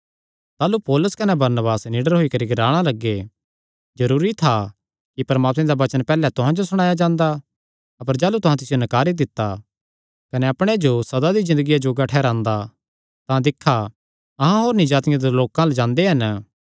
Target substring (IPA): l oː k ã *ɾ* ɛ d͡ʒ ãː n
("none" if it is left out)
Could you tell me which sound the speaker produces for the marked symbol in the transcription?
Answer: l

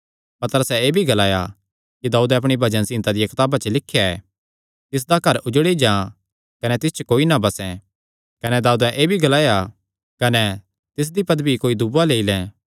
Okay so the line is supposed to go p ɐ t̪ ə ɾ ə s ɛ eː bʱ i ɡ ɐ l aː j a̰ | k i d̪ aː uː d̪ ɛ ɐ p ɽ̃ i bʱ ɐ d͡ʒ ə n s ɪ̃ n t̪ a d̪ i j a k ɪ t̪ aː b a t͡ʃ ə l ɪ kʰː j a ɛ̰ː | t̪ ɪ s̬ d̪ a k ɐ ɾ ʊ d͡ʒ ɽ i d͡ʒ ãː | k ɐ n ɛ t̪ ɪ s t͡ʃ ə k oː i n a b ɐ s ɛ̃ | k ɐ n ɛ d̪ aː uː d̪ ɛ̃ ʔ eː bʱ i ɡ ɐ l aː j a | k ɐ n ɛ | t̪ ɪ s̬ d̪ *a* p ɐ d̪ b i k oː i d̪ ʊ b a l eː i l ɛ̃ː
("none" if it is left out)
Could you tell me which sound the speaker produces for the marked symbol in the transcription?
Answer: i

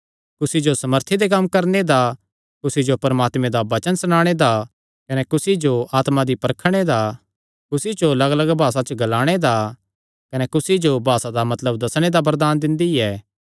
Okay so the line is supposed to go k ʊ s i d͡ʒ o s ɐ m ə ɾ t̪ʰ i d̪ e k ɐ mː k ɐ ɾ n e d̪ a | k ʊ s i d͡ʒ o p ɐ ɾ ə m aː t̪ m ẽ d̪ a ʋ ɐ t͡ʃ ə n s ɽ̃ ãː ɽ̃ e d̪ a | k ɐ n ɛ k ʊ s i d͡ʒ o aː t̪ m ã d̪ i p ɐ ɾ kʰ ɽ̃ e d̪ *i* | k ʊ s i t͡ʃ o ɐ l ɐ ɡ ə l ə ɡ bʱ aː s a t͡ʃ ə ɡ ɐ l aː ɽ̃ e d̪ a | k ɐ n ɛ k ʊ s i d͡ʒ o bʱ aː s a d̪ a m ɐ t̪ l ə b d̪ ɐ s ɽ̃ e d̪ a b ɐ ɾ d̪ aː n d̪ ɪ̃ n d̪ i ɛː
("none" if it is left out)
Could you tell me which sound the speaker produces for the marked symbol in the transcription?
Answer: a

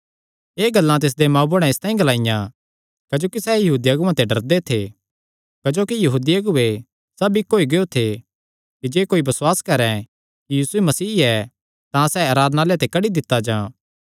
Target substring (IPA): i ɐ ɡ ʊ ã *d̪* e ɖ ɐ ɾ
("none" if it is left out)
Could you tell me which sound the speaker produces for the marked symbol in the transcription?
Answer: t̪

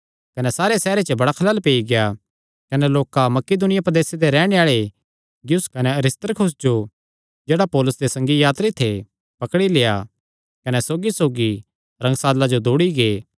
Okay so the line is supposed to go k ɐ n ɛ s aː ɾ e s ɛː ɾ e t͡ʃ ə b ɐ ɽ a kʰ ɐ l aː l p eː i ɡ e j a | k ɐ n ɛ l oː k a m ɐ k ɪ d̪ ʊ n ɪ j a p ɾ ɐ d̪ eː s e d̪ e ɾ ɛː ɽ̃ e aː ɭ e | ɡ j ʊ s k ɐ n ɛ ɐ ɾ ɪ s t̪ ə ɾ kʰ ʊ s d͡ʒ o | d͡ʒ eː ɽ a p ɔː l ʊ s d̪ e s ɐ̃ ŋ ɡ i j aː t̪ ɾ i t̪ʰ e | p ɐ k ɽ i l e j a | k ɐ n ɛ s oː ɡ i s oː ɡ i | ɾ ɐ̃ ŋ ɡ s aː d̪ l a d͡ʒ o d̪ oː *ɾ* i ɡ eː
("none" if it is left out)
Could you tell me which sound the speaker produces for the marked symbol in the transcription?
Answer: ɽ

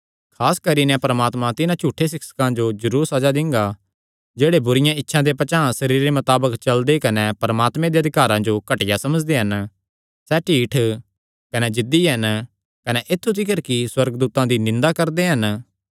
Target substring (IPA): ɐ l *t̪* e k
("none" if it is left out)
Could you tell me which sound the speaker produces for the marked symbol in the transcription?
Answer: d̪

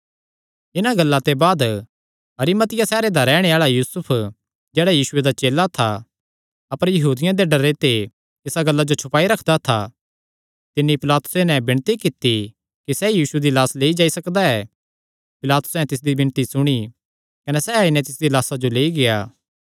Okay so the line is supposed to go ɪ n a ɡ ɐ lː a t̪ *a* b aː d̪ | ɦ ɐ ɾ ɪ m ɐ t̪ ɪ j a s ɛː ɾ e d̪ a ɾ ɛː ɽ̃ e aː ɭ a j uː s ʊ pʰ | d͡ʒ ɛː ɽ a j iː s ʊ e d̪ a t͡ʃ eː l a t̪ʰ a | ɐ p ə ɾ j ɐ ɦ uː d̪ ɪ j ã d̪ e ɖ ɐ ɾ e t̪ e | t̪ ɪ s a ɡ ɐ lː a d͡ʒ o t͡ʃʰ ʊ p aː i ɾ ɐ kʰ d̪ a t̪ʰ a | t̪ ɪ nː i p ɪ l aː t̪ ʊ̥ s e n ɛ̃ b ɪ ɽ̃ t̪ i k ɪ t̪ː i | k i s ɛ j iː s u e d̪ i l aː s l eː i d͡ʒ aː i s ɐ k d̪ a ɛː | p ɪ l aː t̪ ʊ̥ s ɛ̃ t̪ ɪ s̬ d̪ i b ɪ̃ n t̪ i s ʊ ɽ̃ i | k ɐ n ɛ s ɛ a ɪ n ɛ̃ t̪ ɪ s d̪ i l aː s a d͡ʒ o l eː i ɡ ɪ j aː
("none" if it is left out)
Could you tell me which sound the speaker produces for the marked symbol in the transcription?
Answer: e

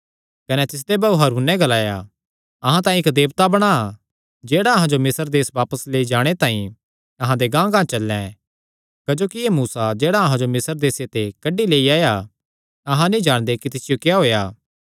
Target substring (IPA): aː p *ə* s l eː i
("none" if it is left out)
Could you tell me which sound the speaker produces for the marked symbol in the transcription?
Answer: ə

